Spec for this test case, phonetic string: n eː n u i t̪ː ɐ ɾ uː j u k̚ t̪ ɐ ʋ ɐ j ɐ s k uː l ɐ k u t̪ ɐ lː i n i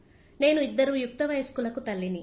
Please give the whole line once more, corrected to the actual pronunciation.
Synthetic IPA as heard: n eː n u i d̪ː ɐ ɾ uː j u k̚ t̪ ɐ ʋ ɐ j ɐ s k uː l ɐ k u t̪ ɐ lː i n i